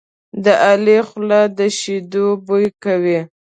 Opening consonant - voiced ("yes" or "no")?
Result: yes